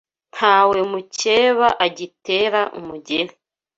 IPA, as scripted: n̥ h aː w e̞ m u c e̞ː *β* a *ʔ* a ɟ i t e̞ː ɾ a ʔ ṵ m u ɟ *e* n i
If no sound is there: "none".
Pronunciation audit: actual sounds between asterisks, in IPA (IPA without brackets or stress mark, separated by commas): β, ʔ, e